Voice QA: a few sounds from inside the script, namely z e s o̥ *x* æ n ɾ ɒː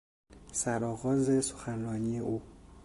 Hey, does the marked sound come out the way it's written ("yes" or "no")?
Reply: yes